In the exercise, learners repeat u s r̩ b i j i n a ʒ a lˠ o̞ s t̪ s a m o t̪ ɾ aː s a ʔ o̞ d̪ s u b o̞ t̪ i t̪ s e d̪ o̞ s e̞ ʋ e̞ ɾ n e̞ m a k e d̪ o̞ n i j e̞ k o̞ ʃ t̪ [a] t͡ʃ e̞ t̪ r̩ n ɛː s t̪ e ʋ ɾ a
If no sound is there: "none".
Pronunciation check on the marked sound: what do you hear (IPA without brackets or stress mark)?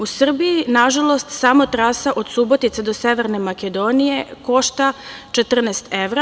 a